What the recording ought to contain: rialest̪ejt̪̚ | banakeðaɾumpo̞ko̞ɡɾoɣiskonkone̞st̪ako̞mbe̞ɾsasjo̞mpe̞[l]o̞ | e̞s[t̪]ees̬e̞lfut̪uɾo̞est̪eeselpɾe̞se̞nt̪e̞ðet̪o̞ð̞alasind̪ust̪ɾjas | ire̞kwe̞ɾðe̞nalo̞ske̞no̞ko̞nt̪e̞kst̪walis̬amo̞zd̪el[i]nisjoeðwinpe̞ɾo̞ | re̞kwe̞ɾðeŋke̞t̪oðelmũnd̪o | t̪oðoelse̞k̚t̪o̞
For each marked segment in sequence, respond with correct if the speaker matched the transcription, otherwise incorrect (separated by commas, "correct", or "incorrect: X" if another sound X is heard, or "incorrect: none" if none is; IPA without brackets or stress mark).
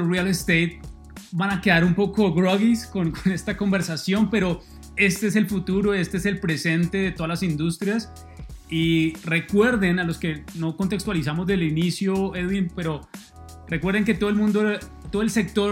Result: incorrect: ɾ, correct, correct